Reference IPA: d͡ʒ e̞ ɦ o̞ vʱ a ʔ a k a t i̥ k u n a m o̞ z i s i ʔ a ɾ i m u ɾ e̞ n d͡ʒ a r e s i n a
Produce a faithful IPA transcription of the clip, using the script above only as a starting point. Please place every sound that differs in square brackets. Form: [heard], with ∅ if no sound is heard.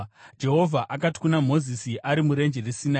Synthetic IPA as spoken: d͡ʒ e̞ ɦ o̞ vʱ a ʔ a k a t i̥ k u n a m o̞ z i s i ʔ a ɾ i m u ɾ e̞ n d͡ʒ [e] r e s i n a

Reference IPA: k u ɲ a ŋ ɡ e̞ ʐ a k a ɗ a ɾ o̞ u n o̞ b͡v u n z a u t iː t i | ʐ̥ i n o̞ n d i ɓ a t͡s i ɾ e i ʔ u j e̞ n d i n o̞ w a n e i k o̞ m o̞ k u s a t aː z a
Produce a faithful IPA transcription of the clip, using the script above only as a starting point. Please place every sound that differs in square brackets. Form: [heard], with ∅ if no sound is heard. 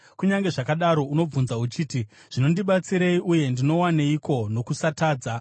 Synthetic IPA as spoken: k u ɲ a ŋ ɡ e̞ ʐ a k a ɗ a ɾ o̞ u n o̞ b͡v u n z a u [t͡ʃ] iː t i | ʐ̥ i n o̞ n d i ɓ a t͡s i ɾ e i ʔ u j e̞ n d i n o̞ w a n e i k o̞ [n] o̞ k u s a t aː [d͡z] a

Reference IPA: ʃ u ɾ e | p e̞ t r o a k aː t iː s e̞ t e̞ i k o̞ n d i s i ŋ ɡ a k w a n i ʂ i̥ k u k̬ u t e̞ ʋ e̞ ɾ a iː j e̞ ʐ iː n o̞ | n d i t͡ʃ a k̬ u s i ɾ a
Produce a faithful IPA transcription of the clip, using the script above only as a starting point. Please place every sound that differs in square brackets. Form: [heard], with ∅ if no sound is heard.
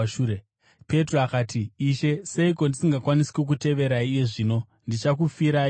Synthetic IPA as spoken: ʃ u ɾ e | p e̞ t r o a k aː t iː [ʃ] e̞ [s] e̞ i k o̞ n d i s i ŋ ɡ a k w a n i [s] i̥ k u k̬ u t e̞ ʋ e̞ ɾ a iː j e̞ ʐ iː n o̞ | n d i t͡ʃ a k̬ u [f] i ɾ a

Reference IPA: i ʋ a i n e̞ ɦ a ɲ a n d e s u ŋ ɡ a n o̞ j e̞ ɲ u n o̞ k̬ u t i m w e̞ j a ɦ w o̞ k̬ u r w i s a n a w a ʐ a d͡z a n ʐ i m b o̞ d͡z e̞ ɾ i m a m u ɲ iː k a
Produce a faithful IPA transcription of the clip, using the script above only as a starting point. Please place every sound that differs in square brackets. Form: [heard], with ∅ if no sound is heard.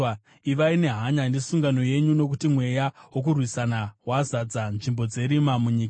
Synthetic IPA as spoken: i ʋ a i n e̞ ɦ a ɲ a n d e s u ŋ ɡ a n o̞ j e̞ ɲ u n o̞ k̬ u t i m w e̞ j a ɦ w o̞ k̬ u r w i s a n a w a [z] a d͡z a n ʐ i m b o̞ d͡z e̞ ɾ i m a m u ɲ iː k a

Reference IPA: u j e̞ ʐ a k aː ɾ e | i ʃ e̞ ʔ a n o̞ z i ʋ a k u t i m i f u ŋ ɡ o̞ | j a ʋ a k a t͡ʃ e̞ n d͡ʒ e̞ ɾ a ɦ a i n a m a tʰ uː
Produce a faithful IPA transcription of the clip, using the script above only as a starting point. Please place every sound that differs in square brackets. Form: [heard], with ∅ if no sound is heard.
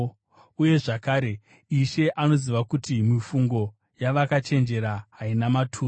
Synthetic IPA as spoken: u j e̞ ʐ a k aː ɾ e | i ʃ e̞ ʔ a n o̞ z i ʋ a k u t i m i f u ŋ ɡ o̞ | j a ʋ a k a t͡ʃ e̞ n d͡ʒ e̞ ɾ a ɦ a i n a m a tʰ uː

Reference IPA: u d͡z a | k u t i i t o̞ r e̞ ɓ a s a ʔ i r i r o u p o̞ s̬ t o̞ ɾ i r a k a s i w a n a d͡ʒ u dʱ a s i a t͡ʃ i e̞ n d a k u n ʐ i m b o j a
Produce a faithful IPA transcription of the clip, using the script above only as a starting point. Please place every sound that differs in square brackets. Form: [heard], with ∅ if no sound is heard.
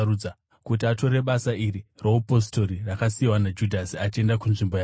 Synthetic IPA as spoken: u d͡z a | k u t i [a] t o̞ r e̞ ɓ a s a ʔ i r i r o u p o̞ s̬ t o̞ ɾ i r a k a s i w a n a d͡ʒ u dʱ a s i a t͡ʃ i e̞ n d a k u n ʐ i m b o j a

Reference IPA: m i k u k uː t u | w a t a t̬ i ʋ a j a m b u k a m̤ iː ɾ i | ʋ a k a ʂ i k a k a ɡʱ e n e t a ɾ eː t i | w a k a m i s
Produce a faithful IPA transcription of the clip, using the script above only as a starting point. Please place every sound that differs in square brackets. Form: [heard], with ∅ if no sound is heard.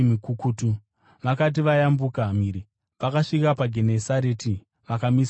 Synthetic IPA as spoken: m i k u k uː t u | [ʋ] a [k] a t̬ i ʋ a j a m b u k a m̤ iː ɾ i | ʋ a k a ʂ i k a [p] a ɡʱ e n e [s] a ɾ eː t i | [ʋ] a k a m i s

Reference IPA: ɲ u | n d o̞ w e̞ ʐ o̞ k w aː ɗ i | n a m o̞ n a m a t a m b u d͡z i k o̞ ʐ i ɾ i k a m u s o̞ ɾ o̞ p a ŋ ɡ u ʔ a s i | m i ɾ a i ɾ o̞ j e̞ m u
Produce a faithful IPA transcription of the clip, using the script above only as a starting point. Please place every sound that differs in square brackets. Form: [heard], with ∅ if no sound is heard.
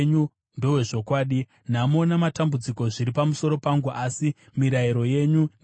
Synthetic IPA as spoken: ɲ u | n d o̞ w e̞ ʐ o̞ k w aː ɗ i | n a m o̞ n a m a t a m b u d͡z i k o̞ ʐ i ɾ i [p] a m u s o̞ ɾ o̞ p a ŋ ɡ u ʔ a s i | m i ɾ a i ɾ o̞ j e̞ [ɲ] u

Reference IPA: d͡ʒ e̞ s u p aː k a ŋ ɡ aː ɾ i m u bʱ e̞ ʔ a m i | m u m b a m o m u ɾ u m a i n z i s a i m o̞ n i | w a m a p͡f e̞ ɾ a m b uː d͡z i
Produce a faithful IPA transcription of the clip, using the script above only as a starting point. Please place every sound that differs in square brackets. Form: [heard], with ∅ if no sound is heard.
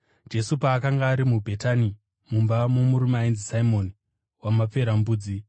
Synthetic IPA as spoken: d͡ʒ e̞ s u p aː k a ŋ ɡ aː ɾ i m u bʱ e̞ [t] a [n] i | m u m b a m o m u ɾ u m a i n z i s a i m o̞ n i | w a m a p͡f e̞ ɾ a m b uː d͡z i

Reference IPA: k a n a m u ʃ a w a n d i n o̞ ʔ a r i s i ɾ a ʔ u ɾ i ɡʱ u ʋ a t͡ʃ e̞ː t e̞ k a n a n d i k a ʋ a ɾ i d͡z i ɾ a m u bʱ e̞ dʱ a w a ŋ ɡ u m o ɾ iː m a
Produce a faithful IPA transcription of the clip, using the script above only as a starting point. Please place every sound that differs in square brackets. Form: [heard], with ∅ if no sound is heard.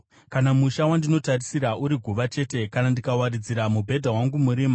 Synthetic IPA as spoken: k a n a m u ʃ a w a n d i n o̞ [t] a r i s i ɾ a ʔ u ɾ i ɡʱ u ʋ a t͡ʃ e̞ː t e̞ k a n a n d i k a [w] a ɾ i d͡z i ɾ a m u bʱ e̞ dʱ a w a ŋ ɡ u m [u] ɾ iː m a

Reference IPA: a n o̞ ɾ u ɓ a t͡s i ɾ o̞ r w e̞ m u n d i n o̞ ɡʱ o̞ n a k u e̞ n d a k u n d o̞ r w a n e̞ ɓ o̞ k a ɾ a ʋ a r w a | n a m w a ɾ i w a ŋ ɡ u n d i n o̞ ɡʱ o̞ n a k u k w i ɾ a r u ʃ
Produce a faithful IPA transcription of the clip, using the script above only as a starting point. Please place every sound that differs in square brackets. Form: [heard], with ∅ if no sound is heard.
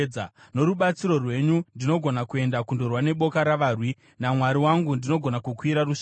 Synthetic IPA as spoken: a n o̞ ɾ u ɓ a t͡s i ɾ o̞ r w e̞ [ɲ] u n d i n o̞ ɡʱ o̞ n a k u e̞ n d a k u n d o̞ r w a n e̞ ɓ o̞ k a ɾ a ʋ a r w [i] | n a m w a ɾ i w a ŋ ɡ u n d i n o̞ ɡʱ o̞ n a k u k w i ɾ a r u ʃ

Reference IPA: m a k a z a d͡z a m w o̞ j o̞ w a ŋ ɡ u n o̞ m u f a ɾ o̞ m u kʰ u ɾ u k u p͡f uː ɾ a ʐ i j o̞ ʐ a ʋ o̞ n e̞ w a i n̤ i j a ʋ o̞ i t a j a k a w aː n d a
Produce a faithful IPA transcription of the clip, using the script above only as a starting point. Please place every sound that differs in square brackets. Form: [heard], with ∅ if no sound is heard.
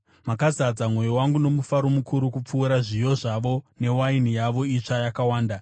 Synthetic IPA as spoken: m a k a z a d͡z a m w o̞ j o̞ w a ŋ ɡ u n o̞ m u f a ɾ o̞ m u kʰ u ɾ u k u p͡f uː ɾ a ʐ i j o̞ ʐ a ʋ o̞ n e̞ w a i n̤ i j a ʋ o̞ i [t͡ʂ] a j a k a w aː n d a

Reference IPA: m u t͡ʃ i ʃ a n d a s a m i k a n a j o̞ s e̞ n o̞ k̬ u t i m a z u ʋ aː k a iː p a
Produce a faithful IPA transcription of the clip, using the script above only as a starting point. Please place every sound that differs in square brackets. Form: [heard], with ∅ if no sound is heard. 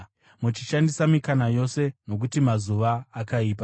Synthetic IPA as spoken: m u t͡ʃ i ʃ a n d [i] s a m i k a n a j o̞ s e̞ n o̞ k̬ u t i m a z u ʋ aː k a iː p a

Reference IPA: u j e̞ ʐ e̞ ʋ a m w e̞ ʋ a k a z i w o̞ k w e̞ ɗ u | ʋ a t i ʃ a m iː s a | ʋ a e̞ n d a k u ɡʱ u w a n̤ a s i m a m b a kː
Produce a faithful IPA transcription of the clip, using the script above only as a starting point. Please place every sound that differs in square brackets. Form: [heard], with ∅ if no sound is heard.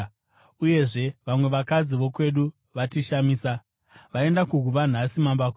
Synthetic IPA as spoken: u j e̞ ʐ e̞ ʋ a m w e̞ ʋ a k a [d͡z] i [ʋ] o̞ k w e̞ ɗ u | ʋ a t i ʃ a m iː s a | ʋ a e̞ n d a k u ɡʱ u [ʋ] a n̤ a s i m a m b a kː

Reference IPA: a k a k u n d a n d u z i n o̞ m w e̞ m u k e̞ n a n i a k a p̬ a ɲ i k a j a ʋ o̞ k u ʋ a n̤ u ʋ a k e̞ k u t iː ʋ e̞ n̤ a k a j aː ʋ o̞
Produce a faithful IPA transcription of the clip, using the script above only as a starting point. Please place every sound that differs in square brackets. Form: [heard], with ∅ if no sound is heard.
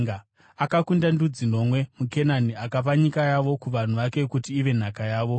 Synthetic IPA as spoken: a k a k u n d a n d u [d͡z] i n o̞ m w e̞ m u k e̞ n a n i a k a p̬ a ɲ i k a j a ʋ o̞ k u ʋ a n̤ u ʋ a k e̞ k u t iː ʋ e̞ n̤ a k a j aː ʋ o̞

